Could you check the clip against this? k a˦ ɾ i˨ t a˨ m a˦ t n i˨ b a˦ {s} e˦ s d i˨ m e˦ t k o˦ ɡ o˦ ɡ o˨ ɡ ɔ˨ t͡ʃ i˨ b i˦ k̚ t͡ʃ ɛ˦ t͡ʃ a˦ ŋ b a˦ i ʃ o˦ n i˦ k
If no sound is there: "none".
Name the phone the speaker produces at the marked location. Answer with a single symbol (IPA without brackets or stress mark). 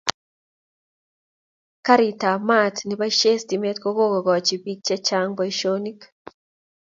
ʃ